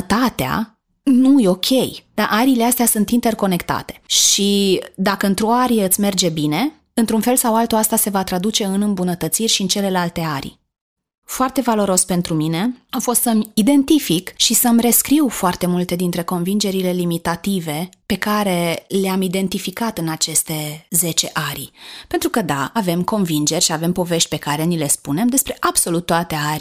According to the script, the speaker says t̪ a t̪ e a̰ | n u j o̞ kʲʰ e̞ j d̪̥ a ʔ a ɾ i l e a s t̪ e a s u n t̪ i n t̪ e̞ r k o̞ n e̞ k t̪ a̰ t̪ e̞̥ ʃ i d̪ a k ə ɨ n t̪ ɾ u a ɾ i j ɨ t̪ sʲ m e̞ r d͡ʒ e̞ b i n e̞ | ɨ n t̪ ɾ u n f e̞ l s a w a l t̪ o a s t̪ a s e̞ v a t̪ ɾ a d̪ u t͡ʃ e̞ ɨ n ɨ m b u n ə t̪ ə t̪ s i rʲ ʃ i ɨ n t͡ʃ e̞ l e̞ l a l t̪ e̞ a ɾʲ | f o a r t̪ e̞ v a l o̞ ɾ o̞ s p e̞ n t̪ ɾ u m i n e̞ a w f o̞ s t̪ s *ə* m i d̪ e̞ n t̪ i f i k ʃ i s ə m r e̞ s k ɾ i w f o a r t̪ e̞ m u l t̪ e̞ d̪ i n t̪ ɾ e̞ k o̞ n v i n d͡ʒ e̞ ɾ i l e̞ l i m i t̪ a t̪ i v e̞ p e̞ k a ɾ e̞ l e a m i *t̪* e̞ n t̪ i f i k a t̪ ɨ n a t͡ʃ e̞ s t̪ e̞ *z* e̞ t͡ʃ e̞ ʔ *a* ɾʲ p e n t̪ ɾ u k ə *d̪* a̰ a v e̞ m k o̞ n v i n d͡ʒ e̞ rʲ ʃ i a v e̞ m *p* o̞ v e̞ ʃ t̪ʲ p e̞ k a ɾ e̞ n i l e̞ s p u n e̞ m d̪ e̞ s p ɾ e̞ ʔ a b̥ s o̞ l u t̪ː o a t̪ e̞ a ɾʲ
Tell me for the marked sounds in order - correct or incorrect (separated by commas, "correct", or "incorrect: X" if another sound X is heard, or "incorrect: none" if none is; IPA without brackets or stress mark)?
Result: correct, incorrect: d̪, correct, correct, correct, correct